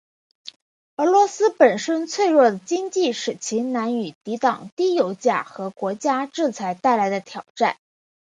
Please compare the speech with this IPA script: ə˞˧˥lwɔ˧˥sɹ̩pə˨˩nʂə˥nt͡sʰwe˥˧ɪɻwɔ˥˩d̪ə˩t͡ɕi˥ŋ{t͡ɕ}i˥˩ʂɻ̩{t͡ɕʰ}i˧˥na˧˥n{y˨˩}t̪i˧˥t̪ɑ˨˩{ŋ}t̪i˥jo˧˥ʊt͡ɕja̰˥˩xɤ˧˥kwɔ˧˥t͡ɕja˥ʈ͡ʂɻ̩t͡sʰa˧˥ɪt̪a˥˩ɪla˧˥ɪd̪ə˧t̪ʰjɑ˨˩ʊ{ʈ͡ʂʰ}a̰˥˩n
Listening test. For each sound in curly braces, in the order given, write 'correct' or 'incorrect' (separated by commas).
correct, correct, correct, correct, incorrect